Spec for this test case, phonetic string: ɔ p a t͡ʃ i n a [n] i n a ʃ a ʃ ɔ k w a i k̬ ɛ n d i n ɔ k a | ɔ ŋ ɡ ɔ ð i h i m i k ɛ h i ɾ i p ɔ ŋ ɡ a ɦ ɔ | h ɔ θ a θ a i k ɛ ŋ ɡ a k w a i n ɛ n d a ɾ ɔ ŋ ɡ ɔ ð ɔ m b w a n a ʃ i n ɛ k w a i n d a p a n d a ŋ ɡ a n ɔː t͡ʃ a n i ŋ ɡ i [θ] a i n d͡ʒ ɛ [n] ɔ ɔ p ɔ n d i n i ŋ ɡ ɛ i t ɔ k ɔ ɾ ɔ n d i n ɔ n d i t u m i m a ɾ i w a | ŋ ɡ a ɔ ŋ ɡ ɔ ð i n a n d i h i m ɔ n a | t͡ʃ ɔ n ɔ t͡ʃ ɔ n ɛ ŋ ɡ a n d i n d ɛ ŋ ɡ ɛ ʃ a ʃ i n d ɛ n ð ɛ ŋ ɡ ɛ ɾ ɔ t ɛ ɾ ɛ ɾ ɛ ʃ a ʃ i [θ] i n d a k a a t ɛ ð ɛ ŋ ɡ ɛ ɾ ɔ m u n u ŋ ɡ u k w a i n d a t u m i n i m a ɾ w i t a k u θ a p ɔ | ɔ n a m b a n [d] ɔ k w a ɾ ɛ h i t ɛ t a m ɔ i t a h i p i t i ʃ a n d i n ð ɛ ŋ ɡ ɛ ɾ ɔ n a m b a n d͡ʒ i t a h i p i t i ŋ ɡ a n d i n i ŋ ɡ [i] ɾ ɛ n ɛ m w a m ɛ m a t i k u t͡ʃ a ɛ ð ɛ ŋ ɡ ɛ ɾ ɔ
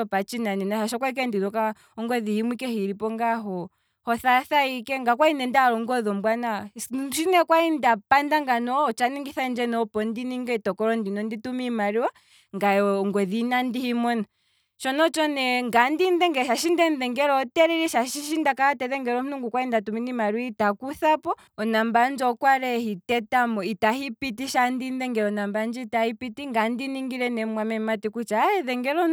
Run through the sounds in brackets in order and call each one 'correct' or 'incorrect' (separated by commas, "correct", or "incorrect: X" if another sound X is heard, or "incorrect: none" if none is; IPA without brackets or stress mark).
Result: correct, correct, correct, incorrect: ʃ, incorrect: d͡ʒ, correct